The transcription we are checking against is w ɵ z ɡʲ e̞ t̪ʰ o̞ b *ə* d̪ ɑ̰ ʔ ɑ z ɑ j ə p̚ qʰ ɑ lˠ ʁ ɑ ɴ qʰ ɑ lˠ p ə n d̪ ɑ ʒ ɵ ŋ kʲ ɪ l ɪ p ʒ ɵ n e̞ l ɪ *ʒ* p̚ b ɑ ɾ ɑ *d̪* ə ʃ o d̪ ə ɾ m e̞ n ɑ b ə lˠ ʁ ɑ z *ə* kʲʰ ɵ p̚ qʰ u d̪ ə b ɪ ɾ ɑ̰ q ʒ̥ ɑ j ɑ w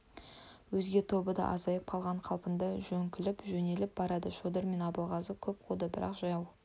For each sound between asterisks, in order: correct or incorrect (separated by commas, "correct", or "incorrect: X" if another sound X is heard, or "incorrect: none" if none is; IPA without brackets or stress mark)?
correct, incorrect: none, correct, correct